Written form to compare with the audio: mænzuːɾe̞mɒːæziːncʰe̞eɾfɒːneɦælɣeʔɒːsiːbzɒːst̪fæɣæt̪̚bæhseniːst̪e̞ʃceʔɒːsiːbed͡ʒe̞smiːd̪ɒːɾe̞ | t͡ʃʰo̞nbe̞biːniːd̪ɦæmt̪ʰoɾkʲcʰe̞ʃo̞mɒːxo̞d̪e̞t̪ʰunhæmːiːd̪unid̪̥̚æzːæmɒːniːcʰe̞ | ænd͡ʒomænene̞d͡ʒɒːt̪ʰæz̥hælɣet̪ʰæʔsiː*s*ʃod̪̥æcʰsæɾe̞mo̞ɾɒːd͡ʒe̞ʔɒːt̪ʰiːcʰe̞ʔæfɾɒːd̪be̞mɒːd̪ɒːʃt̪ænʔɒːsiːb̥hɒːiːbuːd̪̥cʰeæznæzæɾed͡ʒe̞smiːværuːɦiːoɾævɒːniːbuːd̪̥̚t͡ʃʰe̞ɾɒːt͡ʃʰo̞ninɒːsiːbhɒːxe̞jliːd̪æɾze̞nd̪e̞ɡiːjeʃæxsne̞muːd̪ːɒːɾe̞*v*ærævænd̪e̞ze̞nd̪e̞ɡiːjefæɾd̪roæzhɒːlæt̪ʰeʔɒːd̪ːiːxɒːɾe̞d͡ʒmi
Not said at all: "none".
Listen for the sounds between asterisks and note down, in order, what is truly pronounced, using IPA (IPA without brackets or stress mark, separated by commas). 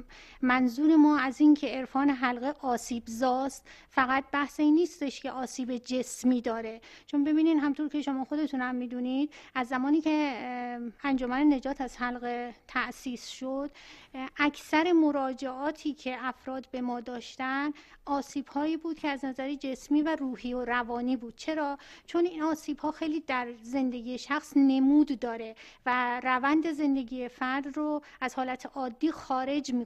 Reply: s, v